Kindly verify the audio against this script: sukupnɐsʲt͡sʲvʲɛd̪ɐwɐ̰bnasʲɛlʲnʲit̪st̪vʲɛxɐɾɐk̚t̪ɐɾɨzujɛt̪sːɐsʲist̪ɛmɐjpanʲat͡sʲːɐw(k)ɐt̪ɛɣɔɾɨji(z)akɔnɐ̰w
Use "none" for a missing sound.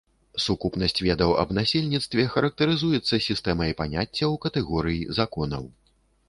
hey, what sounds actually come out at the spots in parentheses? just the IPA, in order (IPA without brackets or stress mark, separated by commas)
k, z